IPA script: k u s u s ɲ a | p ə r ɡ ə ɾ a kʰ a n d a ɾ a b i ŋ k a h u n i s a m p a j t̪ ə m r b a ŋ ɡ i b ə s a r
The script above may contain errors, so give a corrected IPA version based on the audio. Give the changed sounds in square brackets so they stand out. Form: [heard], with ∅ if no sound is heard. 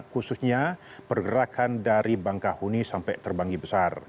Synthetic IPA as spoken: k u s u s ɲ a | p ə r ɡ ə ɾ a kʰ a n d a ɾ [i] b [a] ŋ k a h u n i s a m p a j t̪ ə [∅] r b a ŋ ɡ i b ə s a r